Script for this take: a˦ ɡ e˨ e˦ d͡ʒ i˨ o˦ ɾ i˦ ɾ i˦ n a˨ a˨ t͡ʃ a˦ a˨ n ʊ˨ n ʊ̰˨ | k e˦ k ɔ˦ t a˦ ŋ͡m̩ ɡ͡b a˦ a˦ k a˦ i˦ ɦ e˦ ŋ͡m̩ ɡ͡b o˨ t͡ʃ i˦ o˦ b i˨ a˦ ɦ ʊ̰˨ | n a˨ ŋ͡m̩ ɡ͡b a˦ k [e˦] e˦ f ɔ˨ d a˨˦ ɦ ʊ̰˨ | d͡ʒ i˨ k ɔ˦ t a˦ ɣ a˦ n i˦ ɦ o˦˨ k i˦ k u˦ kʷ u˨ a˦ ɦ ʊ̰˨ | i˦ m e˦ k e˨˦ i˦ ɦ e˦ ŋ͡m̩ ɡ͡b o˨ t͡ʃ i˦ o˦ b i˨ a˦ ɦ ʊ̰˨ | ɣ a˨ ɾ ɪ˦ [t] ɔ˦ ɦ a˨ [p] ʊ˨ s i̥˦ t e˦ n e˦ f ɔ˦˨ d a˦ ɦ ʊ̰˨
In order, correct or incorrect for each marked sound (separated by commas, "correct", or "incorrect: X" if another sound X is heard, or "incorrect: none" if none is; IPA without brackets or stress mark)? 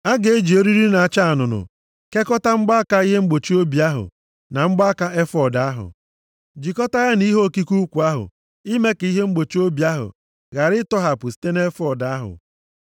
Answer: incorrect: a˦, correct, correct